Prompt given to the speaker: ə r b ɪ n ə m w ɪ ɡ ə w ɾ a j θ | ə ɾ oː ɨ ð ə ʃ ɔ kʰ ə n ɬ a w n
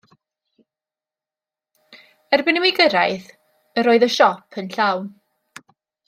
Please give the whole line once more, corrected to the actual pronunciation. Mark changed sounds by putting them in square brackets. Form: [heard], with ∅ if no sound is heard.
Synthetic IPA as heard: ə r b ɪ n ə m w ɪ ɡ ə [∅] ɾ a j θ | ə ɾ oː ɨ ð ə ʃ ɔ [pʰ] ə n ɬ a w n